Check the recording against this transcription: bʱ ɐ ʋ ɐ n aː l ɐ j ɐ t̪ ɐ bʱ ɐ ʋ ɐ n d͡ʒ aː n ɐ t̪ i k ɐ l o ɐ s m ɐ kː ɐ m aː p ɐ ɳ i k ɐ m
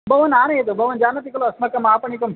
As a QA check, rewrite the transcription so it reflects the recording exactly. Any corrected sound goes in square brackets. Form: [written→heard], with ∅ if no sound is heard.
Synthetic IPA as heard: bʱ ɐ ʋ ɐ n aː [l→ɾ] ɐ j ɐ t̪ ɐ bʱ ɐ ʋ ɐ n d͡ʒ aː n ɐ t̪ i k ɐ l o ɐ s m ɐ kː ɐ m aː p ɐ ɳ i k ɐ m